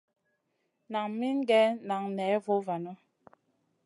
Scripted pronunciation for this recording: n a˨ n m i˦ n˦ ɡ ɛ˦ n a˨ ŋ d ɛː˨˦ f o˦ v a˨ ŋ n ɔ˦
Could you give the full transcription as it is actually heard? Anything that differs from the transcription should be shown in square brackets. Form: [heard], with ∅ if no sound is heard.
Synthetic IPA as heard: n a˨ [ŋ] m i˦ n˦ ɡ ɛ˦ n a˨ ŋ [n] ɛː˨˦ [v] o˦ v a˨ [∅] n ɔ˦